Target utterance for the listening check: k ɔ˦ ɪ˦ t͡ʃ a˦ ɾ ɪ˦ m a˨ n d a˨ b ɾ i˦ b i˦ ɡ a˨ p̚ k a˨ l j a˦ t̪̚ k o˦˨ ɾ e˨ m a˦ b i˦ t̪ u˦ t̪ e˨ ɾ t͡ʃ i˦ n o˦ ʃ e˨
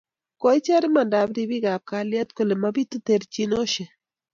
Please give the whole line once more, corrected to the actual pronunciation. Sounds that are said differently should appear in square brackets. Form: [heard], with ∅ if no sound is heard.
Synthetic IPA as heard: k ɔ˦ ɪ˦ t͡ʃ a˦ ɾ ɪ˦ m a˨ n d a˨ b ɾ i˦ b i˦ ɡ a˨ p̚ k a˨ l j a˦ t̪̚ k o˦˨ [l] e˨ m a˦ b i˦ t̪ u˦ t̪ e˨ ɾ t͡ʃ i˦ n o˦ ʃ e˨